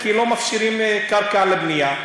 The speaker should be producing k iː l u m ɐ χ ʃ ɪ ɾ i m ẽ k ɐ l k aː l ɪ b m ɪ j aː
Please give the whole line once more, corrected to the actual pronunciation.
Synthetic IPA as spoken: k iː l o m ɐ f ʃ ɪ ɾ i m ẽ k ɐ ɾ k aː l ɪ b n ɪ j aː